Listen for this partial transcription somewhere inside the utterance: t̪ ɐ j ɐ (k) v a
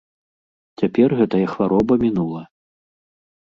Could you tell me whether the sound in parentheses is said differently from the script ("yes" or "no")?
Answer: yes